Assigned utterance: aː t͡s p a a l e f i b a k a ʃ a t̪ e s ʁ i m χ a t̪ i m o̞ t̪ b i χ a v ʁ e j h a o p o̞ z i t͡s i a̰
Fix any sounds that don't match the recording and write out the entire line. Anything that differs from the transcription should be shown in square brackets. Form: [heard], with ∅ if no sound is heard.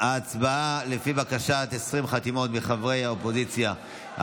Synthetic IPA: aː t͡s [b] a a l e f i b a k a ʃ a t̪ e s ʁ i m χ a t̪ i m o̞ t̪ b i χ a v ʁ e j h a o p o̞ z i t͡s [j] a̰